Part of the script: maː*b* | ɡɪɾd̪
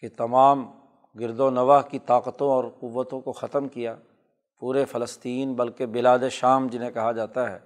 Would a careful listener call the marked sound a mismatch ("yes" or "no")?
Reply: yes